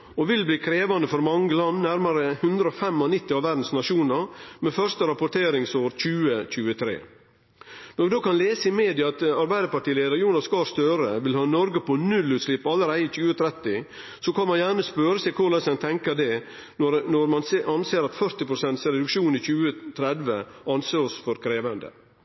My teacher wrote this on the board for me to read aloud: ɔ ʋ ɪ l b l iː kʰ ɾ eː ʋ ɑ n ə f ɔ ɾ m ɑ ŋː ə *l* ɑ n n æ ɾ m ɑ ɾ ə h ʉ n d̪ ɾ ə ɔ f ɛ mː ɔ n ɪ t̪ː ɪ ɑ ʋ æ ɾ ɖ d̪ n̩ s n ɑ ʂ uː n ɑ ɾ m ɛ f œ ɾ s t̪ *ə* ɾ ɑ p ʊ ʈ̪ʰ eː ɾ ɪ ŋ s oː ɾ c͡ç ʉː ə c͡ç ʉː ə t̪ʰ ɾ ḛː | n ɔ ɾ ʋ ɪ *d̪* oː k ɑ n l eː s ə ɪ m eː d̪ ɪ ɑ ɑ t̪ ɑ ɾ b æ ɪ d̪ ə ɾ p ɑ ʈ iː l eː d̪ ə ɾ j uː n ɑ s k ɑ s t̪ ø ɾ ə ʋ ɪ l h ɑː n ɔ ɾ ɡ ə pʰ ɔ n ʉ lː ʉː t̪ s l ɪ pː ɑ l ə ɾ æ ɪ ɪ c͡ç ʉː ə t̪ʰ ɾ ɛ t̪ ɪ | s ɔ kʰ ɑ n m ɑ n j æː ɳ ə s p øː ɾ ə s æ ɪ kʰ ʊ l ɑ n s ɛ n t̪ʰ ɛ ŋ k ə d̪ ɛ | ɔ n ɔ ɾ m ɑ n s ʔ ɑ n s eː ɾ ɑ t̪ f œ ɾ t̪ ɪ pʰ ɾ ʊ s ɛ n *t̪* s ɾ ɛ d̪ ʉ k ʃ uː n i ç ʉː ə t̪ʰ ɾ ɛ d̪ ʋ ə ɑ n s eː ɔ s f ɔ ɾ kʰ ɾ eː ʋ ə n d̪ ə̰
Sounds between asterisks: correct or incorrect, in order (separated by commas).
correct, correct, correct, correct